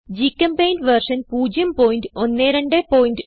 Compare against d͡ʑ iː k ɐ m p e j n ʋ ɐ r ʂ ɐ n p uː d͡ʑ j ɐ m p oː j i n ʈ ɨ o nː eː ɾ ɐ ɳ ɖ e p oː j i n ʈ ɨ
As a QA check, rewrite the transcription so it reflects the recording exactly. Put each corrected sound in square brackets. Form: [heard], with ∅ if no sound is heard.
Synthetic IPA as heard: d͡ʑ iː k ɐ m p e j n ʋ ɐ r ʂ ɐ n p uː d͡ʑ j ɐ m p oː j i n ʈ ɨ o nː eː ɾ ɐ ɳ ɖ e p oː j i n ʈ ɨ